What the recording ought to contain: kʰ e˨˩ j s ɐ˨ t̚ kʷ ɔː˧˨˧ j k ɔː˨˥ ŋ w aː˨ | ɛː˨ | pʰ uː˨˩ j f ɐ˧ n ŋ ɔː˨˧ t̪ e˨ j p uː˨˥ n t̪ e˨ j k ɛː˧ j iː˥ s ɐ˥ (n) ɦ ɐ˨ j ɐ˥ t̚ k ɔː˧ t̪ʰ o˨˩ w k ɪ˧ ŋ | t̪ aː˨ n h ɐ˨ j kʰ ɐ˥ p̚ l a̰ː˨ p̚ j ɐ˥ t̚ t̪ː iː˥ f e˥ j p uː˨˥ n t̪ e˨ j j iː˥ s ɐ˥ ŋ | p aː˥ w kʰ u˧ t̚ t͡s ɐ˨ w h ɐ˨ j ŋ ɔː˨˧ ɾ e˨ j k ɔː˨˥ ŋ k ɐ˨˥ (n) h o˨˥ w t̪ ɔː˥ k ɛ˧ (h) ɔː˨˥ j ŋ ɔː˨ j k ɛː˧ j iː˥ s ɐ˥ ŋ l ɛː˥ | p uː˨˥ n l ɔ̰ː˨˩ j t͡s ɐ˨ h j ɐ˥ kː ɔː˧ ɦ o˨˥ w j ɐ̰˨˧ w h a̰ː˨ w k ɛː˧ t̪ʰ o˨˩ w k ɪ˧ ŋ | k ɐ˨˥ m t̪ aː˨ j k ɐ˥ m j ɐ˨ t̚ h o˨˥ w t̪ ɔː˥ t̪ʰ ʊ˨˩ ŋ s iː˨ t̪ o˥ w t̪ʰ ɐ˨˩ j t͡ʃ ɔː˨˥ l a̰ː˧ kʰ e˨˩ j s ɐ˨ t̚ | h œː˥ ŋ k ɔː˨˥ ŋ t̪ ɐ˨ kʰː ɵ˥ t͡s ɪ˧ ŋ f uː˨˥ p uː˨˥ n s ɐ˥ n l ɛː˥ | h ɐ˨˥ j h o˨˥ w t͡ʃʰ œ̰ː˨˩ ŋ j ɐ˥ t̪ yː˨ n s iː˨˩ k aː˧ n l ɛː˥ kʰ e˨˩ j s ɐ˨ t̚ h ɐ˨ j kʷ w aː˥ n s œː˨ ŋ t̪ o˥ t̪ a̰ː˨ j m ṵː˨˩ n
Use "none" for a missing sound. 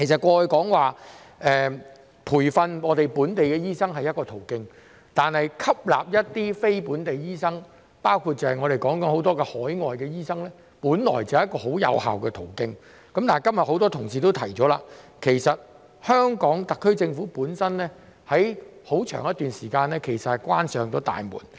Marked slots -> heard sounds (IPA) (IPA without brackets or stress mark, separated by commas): ŋ, n, h